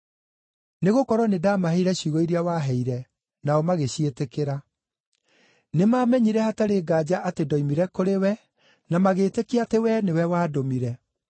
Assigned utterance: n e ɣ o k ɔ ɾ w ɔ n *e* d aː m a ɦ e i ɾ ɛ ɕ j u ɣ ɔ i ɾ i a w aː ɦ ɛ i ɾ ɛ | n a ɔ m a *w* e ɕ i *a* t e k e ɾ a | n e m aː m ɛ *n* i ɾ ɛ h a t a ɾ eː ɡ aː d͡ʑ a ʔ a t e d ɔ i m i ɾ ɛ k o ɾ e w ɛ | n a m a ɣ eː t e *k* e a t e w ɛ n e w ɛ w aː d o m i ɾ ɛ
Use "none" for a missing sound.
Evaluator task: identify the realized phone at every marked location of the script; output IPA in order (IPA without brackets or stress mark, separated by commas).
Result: e, ɣ, e, ɲ, k